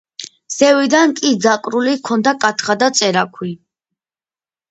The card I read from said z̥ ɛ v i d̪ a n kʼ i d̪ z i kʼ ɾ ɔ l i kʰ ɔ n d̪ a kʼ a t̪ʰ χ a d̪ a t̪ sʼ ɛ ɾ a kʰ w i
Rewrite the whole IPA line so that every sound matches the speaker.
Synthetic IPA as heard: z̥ ɛ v i d̪ a n kʼ i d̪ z a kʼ ɾ u l i kʰ ɔ n d̪ a kʼ a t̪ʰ χ a d̪ a t̪ sʼ ɛ ɾ a kʰ w i